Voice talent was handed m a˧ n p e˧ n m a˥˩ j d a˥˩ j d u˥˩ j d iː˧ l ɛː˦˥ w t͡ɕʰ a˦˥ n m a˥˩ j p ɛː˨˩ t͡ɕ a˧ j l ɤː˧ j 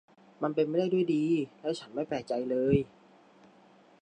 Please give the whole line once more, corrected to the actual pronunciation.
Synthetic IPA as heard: m a˧ n p e˧ n m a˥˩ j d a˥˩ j d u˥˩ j d iː˧ l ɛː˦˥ w t͡ɕʰ a˦˥ n m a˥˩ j p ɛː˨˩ t͡ɕ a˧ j l ɤː˧ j